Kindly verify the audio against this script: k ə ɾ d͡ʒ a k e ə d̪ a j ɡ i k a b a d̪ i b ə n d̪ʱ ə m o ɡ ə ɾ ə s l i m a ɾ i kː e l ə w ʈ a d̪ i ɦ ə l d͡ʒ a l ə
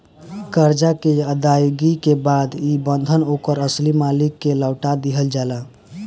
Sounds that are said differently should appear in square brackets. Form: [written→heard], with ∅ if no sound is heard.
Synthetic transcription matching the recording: k ə ɾ d͡ʒ a k e ə d̪ a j ɡ i k [a→e] b a d̪ i b ə n d̪ʱ ə [m→n] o [ɡ→k] ə ɾ ə s l i m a [ɾ→l] i kː e l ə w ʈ a d̪ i ɦ ə l d͡ʒ a l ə